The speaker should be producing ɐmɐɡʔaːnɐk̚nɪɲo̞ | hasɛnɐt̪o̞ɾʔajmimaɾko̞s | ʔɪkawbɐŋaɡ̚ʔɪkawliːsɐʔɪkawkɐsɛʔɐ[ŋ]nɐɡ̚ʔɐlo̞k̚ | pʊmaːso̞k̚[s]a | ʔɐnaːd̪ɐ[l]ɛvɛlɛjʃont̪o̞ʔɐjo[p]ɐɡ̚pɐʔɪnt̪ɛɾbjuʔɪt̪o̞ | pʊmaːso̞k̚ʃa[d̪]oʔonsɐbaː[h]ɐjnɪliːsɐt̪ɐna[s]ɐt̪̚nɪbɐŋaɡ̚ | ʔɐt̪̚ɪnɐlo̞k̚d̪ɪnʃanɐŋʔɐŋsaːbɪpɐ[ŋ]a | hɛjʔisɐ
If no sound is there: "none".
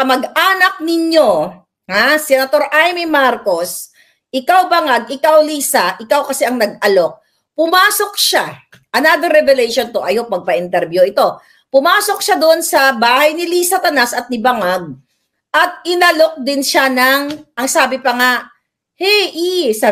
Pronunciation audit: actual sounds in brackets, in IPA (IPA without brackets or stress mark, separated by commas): ŋ, ʃ, ɾ, p, d̪, h, s, ŋ